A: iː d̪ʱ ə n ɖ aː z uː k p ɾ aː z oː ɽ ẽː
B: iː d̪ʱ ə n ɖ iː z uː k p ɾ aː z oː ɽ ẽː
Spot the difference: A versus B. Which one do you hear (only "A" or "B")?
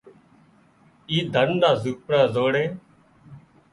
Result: A